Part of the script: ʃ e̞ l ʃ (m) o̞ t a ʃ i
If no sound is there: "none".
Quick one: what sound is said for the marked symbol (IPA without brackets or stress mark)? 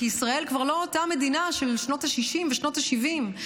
n